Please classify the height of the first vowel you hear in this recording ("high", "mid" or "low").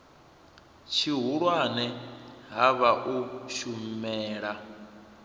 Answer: high